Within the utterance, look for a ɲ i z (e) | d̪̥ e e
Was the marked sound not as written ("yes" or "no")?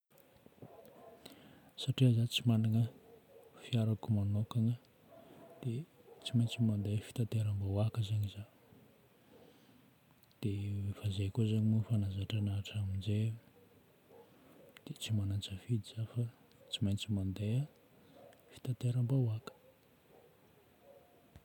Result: yes